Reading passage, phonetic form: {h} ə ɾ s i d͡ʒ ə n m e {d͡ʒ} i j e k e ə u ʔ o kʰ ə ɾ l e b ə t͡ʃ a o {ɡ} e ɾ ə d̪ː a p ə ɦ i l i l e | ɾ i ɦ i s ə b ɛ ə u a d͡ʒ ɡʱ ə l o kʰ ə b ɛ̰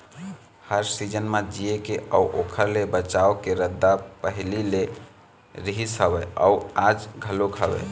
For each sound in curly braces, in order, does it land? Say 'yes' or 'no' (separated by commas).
yes, yes, no